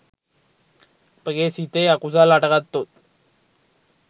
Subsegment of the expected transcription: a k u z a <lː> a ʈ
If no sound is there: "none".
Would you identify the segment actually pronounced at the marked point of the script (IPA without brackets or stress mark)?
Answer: l